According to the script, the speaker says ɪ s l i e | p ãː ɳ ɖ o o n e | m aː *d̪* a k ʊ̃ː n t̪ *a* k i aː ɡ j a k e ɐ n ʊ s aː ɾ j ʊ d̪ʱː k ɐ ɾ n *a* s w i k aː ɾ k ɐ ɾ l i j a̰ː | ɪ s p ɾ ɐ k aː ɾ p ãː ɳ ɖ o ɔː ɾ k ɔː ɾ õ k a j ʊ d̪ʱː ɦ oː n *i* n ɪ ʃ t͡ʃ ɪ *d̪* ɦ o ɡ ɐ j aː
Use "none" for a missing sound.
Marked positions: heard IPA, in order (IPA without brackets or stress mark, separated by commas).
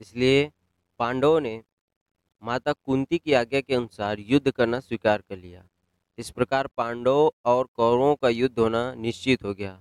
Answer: t̪, i, a, a, t̪